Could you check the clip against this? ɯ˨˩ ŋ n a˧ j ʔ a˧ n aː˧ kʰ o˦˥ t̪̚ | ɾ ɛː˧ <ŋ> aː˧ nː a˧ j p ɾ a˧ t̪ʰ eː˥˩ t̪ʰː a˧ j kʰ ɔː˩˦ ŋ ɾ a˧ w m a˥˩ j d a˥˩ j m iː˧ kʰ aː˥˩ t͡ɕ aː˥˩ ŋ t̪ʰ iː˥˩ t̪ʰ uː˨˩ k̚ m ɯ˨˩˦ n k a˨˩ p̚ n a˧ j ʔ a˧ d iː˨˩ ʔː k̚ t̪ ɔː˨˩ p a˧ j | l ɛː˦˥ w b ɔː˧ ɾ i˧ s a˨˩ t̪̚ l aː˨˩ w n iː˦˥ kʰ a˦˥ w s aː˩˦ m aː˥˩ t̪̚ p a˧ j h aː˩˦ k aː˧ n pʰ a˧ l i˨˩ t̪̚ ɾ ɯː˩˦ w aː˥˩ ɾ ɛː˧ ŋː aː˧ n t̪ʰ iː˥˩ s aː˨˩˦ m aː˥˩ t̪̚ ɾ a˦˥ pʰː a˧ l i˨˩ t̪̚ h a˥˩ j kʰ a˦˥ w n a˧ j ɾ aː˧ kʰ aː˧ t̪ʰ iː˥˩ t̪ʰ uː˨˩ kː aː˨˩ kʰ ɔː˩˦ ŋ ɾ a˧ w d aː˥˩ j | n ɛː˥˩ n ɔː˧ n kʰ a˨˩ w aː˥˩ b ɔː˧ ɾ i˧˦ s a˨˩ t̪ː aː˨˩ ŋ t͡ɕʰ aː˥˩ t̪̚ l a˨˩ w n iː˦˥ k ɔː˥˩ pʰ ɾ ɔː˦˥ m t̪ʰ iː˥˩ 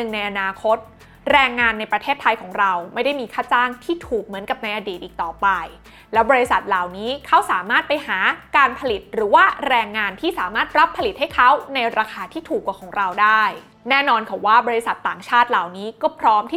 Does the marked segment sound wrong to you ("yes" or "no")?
yes